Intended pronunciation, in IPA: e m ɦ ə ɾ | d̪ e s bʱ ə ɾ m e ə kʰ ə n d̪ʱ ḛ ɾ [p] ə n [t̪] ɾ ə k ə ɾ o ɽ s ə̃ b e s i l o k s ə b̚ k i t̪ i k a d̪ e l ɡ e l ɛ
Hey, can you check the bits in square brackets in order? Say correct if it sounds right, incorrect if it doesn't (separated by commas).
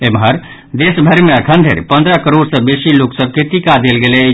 correct, incorrect